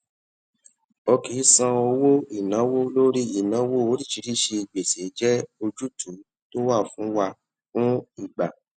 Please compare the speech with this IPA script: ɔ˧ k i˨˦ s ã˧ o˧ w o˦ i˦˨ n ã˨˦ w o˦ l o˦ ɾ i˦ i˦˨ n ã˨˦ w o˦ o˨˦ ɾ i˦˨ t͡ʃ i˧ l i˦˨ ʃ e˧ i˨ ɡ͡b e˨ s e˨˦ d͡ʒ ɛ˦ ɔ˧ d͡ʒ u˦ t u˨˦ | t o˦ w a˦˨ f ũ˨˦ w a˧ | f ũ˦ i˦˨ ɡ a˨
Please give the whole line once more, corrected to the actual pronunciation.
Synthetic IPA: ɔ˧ k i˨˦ s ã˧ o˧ w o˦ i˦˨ n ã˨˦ w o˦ l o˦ ɾ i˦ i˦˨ n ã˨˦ w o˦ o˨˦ ɾ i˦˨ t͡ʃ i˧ ɾ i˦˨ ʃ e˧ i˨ ɡ͡b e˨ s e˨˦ d͡ʒ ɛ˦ o˧ d͡ʒ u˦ t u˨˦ | t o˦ w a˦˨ f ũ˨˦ w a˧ | f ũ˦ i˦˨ ɡ͡b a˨